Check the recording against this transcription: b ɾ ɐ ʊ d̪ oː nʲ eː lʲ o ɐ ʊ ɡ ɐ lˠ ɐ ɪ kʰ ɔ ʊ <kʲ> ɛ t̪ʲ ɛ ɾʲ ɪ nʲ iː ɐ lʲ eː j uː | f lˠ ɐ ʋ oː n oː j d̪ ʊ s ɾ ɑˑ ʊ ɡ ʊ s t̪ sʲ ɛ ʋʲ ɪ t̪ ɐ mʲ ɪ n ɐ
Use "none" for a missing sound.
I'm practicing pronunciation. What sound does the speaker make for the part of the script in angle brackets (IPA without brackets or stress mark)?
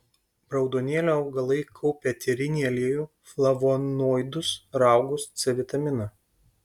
pʲ